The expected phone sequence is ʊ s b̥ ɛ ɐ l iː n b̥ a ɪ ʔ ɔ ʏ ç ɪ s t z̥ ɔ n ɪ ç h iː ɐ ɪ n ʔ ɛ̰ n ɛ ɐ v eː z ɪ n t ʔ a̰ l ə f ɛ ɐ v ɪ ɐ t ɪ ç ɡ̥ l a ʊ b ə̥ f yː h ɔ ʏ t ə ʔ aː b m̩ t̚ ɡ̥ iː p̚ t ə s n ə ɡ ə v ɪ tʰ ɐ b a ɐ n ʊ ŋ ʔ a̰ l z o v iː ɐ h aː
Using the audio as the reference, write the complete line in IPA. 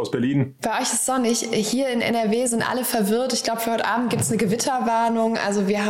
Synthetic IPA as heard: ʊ s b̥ ɛ ɐ l iː n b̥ a ɪ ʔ ɔ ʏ ç ɪ s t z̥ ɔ n ɪ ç h iː ɐ ɪ n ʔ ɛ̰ n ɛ ɐ v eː z ɪ n t ʔ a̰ l ə f ɛ ɐ v ɪ ɐ t ɪ ç ɡ̥ l a ʊ b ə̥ f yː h ɔ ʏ t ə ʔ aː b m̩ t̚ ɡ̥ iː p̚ t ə s n ə ɡ ə v ɪ tʰ ɐ v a ɐ n ʊ ŋ ʔ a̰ l z o v iː ɐ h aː